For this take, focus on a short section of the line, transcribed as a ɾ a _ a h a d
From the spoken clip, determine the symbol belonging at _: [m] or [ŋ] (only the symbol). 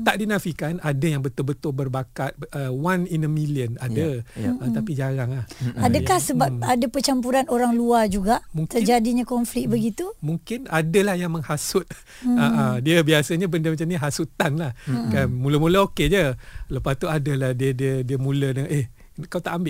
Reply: ŋ